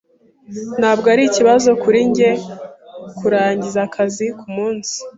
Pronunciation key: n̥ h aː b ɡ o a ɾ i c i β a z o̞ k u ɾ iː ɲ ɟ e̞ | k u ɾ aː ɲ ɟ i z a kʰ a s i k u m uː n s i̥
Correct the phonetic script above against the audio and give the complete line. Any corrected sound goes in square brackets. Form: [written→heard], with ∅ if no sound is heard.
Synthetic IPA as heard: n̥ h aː b ɡ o a ɾ i c i β a z o̞ k u ɾ [iː→i] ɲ ɟ e̞ | k u ɾ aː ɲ ɟ i z a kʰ a [s→z] i k u m uː n s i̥